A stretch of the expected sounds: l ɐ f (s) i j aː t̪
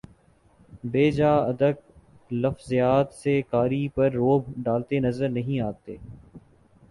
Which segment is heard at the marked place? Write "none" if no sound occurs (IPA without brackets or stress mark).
z